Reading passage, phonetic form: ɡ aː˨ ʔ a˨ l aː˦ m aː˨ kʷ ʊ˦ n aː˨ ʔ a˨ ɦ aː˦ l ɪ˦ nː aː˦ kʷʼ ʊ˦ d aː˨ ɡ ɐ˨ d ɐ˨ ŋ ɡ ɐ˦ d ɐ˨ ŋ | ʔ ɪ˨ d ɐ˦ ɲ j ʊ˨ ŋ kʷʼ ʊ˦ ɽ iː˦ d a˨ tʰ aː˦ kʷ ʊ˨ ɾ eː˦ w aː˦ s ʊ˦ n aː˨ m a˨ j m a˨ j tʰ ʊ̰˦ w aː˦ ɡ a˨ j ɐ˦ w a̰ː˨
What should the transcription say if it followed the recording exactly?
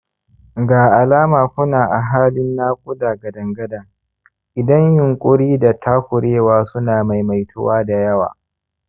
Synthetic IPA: ɡ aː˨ ʔ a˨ l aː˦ m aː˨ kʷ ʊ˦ n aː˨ ʔ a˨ ɦ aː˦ l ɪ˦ nː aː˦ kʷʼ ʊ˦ d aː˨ ɡ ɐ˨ d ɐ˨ ŋ ɡ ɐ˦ d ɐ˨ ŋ | ʔ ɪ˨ d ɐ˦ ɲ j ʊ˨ ŋ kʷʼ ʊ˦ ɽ iː˦ d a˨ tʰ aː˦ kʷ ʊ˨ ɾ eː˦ w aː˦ s ʊ˦ n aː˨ m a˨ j m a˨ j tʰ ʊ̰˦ w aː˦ d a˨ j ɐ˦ w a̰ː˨